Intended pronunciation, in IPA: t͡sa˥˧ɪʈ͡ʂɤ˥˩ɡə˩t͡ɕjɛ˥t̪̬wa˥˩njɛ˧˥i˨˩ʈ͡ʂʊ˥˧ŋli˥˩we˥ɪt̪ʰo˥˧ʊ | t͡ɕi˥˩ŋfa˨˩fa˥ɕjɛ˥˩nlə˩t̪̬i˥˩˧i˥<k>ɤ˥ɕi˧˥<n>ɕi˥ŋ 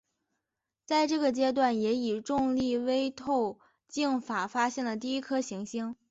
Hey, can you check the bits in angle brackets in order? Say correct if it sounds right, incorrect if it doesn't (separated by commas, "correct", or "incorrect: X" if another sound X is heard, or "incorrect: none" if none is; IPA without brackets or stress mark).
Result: incorrect: kʰ, incorrect: ŋ